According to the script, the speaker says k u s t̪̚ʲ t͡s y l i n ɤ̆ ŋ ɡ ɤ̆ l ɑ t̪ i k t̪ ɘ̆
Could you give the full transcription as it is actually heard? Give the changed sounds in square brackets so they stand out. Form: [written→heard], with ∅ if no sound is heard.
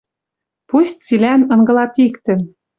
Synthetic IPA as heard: [k→p] u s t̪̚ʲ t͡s [y→i] l [i→æ] n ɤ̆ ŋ ɡ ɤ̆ l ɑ t̪ i k t̪ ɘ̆